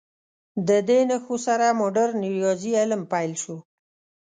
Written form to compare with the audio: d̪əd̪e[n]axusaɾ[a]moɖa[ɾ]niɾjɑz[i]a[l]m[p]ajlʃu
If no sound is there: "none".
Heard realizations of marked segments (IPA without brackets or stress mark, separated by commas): n, a, ɾ, i, l, p